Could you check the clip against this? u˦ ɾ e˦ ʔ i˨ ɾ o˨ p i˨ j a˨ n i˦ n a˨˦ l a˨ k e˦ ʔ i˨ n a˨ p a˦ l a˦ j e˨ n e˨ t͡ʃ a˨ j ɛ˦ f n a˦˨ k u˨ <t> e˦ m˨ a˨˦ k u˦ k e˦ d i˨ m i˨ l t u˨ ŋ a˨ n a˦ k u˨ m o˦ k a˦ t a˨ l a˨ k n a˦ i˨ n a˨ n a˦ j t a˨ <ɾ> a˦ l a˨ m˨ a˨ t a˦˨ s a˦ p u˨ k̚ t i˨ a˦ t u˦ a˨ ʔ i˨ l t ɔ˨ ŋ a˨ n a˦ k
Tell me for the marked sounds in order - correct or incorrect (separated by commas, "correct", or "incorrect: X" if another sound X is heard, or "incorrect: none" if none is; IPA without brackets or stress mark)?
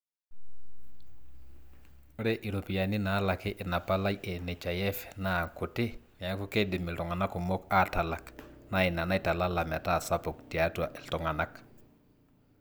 correct, incorrect: l